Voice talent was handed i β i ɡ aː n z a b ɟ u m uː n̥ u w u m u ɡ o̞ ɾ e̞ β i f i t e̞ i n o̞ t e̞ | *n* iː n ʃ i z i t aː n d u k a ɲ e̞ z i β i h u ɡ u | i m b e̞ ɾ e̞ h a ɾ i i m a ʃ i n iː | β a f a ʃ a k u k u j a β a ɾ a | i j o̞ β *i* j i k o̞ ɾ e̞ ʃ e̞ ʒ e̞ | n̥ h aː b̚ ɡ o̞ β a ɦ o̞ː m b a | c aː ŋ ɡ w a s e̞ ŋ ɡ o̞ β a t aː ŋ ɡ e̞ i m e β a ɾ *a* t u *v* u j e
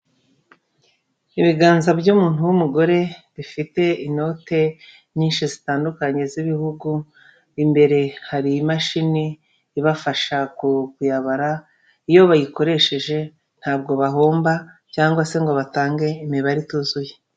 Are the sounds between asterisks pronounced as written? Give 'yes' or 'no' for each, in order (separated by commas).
no, no, no, no